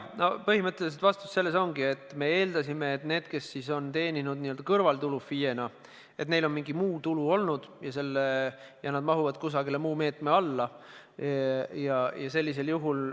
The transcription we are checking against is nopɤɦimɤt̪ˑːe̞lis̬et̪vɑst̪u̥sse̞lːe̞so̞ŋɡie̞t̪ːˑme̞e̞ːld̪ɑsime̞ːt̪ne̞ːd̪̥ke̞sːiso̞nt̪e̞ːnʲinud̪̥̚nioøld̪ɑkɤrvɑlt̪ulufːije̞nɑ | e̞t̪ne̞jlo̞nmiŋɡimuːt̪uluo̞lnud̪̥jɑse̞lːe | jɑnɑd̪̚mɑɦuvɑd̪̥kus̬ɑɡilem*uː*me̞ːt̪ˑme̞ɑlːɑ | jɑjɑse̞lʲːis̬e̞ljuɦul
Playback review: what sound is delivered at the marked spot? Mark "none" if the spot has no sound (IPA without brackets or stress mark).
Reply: uː